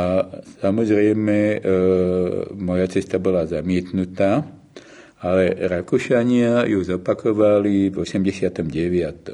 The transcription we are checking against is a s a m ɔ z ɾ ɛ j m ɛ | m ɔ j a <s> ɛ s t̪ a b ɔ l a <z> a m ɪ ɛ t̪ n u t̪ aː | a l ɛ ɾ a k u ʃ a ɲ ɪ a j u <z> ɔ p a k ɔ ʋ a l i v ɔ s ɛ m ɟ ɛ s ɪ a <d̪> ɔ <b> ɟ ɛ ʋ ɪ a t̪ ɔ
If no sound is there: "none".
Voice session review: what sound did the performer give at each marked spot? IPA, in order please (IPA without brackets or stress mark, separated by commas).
t͡s, z, z, t̪, m